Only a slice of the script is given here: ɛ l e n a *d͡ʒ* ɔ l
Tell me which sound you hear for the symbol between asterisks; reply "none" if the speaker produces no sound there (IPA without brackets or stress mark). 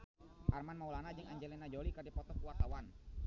d͡ʒ